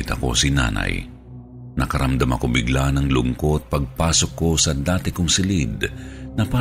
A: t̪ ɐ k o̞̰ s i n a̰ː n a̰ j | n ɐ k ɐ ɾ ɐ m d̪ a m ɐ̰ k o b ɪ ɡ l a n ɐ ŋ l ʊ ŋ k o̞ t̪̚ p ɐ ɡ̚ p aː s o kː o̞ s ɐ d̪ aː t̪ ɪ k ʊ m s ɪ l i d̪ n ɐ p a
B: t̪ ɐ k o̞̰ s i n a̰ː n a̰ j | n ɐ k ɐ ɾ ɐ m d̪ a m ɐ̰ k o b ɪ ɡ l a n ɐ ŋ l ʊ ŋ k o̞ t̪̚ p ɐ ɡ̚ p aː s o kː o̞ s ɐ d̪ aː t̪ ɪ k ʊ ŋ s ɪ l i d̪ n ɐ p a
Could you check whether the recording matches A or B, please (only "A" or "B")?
B